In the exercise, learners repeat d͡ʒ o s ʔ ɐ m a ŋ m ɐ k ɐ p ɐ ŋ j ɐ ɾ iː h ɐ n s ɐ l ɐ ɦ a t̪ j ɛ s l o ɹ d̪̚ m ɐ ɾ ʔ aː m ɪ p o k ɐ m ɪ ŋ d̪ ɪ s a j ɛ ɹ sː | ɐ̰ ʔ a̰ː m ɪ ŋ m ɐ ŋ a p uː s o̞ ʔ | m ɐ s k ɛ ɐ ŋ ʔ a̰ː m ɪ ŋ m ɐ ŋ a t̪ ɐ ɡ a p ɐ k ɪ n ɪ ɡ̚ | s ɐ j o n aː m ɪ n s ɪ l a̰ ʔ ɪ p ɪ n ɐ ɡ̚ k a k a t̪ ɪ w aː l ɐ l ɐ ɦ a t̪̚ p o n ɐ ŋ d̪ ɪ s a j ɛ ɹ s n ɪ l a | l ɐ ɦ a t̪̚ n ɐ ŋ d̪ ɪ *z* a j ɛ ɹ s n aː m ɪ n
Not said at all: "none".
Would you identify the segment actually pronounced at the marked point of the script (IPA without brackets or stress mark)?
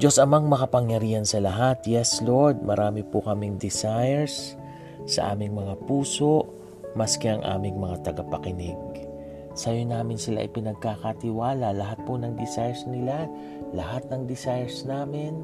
s